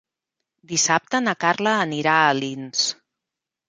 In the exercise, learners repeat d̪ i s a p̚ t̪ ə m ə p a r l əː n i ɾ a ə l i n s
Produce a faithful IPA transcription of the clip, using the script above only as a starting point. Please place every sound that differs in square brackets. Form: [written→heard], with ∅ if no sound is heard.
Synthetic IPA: d̪ i s a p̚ t̪ ə [m→n] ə [p→k] a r l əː n i ɾ a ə l i n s

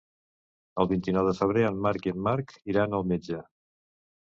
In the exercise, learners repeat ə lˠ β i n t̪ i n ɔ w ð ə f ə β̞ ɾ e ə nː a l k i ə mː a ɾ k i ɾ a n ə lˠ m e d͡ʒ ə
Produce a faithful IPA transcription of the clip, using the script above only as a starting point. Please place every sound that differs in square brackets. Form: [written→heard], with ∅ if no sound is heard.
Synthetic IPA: ə lˠ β i n t̪ i n ɔ w ð ə f ə β̞ ɾ e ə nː a [l→ɾ] k i ə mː a ɾ k i ɾ a n ə lˠ m e d͡ʒ ə

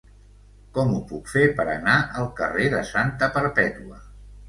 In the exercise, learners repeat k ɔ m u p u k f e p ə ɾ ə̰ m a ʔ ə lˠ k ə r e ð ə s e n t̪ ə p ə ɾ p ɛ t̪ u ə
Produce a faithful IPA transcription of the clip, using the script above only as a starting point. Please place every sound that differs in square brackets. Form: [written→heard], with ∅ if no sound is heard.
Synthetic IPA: k ɔ m u p u k f e p ə ɾ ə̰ [m→n] a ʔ ə lˠ k ə r e ð ə s [e→a] n t̪ ə p ə ɾ p ɛ t̪ u ə

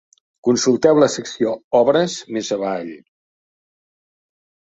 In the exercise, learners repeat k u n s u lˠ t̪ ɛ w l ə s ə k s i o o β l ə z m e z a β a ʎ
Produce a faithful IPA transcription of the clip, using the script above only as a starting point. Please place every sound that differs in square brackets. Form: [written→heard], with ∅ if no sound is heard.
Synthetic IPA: k u n s u lˠ t̪ ɛ w l ə s ə k s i o [o→ɔ] β [l→ɾ] ə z m e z [a→ə] β a ʎ

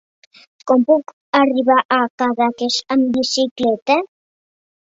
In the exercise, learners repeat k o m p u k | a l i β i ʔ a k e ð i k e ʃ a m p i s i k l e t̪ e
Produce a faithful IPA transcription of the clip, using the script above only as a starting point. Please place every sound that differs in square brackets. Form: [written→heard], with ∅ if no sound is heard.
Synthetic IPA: k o m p u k | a [l→r] i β [i→a] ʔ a k [e→a] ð [i→a] k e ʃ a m [p→b] i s i k l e t̪ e

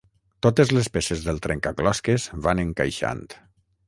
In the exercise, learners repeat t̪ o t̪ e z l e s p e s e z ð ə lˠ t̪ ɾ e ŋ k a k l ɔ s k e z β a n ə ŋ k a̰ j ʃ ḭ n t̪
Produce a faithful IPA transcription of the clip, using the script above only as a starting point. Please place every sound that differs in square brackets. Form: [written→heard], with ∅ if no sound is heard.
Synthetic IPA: t̪ o t̪ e z l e s p e s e z ð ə lˠ t̪ ɾ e ŋ k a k l ɔ s k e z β a n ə ŋ k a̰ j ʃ [ḭ→a̰] n t̪

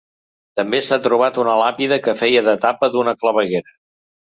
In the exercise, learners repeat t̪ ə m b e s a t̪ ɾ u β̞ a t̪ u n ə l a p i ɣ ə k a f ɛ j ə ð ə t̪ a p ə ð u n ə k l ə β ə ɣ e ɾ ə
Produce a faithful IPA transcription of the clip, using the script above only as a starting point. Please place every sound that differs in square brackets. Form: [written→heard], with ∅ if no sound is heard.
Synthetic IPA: t̪ ə m b e s a t̪ ɾ u β̞ a t̪ u n ə l a p i [ɣ→ð] ə k [a→ə] f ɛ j ə ð ə t̪ a p ə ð u n ə k l ə β ə ɣ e ɾ ə

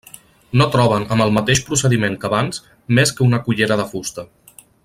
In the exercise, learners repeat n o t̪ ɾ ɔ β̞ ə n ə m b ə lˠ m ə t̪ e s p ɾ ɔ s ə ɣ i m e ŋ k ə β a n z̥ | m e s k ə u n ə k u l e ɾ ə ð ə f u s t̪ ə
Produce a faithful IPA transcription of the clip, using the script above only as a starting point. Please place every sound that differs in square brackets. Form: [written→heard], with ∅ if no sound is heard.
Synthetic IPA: n o t̪ ɾ ɔ β̞ ə n ə m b ə lˠ m ə t̪ e [s→ʃ] p ɾ [ɔ→u] s ə [ɣ→ð] i m e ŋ k ə β a n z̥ | m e s k ə u n ə k u [l→ʎ] e ɾ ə ð ə f u s t̪ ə

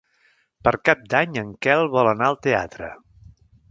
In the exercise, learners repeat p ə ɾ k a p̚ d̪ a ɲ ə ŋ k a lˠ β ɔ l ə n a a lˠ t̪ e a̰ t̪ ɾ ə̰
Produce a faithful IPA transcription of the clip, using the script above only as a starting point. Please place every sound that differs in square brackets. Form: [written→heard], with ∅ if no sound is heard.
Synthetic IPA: p ə ɾ k a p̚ d̪ a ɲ ə ŋ k [a→ɛ] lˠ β ɔ l ə n a [a→ə] lˠ t̪ e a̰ t̪ ɾ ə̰

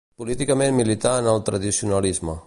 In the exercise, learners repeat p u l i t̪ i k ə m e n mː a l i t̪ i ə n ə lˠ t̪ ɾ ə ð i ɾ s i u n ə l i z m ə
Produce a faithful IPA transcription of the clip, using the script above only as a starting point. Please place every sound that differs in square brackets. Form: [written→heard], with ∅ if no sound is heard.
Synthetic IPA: p u l i t̪ i k ə m e n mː [a→i] l i t̪ [i→a] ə n ə lˠ t̪ ɾ ə ð i [ɾ→∅] s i u n ə l i z m ə

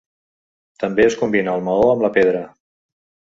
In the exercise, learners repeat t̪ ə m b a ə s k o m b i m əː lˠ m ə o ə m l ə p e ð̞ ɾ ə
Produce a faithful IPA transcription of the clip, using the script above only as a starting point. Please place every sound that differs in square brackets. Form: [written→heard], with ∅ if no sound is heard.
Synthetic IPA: t̪ ə m b [a→e] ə s k [o→u] m b i [m→n] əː lˠ m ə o ə m l ə p e ð̞ ɾ ə

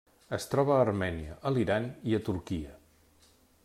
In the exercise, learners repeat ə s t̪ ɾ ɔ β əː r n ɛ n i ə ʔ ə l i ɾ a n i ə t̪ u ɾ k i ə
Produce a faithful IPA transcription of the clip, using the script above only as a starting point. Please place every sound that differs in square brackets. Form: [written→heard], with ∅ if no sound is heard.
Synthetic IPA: ə s t̪ ɾ ɔ β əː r [n→m] ɛ n i ə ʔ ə l i ɾ a n i ə t̪ u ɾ k i ə

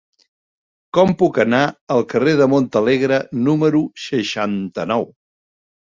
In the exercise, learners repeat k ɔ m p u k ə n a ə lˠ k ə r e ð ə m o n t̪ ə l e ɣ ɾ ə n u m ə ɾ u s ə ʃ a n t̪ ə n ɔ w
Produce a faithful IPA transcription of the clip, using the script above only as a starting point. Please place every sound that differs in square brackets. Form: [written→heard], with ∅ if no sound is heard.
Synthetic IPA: k ɔ m p u k ə n a ə lˠ k ə r e ð ə m o n t̪ ə l e ɣ ɾ ə n u m ə ɾ u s ə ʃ a n t̪ ə n ɔ w

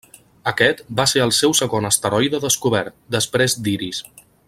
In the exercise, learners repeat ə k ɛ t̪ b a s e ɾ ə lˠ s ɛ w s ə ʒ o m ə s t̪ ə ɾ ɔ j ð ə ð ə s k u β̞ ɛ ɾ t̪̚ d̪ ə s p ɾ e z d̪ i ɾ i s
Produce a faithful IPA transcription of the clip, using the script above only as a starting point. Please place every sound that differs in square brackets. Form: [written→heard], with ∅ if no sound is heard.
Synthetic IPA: ə k ɛ t̪ b a s e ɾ ə lˠ s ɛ w s ə [ʒ→ɣ] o [m→n] ə s t̪ ə ɾ ɔ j ð ə ð ə s k u β̞ ɛ ɾ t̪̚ d̪ ə s p ɾ e z d̪ i ɾ i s

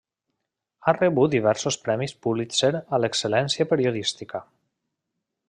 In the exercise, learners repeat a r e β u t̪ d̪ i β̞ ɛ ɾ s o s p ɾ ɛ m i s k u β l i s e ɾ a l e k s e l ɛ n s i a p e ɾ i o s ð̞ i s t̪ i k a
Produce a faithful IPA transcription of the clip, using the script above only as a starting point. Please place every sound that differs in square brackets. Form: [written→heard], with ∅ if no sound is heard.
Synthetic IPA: a r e β u t̪ d̪ i β̞ ɛ ɾ s o s p ɾ ɛ m i s [k→p] u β l i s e ɾ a l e k s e l ɛ n s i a p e ɾ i o [s→∅] ð̞ i s t̪ i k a

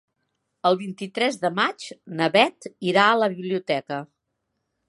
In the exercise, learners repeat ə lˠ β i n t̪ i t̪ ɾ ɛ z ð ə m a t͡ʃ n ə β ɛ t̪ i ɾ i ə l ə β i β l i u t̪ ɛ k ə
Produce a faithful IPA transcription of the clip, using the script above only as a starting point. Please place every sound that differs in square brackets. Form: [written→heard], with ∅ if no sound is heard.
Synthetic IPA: ə lˠ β i n t̪ i t̪ ɾ ɛ z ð ə m a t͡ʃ n ə β ɛ t̪ i ɾ [i→a] ə l ə β i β l i u t̪ ɛ k ə

